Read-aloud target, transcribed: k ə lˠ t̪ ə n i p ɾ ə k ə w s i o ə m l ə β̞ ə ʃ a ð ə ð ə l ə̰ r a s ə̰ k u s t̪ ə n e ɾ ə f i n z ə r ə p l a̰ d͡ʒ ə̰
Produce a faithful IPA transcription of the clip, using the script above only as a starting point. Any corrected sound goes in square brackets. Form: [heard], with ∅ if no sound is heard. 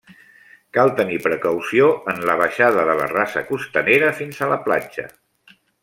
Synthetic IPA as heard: k [a] lˠ t̪ ə n i p ɾ ə k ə w s i o ə [n] l ə β̞ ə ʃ a ð ə ð ə l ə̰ r a s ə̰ k u s t̪ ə n e ɾ ə f i n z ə [l] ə p l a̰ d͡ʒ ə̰